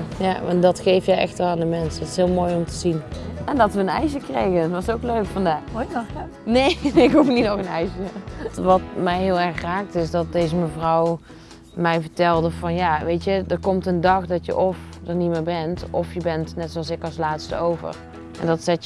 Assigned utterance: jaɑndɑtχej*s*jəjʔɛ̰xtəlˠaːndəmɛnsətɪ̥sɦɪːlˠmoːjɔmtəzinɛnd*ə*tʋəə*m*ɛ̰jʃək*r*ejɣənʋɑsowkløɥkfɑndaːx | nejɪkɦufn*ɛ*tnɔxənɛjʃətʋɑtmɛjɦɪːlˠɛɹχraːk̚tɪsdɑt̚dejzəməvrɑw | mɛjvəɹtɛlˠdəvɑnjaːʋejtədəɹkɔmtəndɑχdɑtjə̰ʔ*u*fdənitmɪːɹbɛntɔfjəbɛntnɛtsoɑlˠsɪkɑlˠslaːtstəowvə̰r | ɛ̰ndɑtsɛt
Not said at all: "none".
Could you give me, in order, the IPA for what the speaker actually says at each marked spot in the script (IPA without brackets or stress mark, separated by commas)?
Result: f, ɑ, n, r, i, ɔ